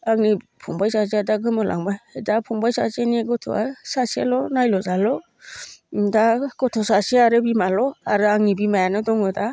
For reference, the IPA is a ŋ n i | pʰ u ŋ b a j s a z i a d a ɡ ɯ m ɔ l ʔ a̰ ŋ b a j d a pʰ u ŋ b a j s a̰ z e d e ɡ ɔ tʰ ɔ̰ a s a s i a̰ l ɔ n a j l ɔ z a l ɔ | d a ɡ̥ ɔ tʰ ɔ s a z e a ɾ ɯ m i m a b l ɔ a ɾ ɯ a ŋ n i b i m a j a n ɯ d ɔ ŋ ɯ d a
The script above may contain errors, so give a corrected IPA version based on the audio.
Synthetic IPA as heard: a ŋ n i | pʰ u ŋ b a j s a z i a d a ɡ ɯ m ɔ l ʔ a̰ ŋ b a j d a pʰ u ŋ b a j s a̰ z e n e ɡ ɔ tʰ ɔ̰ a s a s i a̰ l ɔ n a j l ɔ z a l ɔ | d a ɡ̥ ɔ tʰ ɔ s a s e a ɾ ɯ b i m a l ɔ a ɾ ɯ a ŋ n i b i m a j a n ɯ d ɔ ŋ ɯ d a